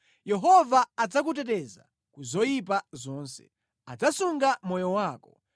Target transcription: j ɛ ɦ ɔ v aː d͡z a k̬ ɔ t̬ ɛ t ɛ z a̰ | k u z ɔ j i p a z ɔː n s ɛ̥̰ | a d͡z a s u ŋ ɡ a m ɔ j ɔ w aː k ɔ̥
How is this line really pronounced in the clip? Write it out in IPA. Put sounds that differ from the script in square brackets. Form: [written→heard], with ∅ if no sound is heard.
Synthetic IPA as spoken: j ɛ ɦ ɔ v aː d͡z a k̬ [ɔ→u] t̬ ɛ t ɛ z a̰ | k u z ɔ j i p a z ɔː n s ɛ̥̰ | a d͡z a s u ŋ ɡ a m ɔ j ɔ w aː k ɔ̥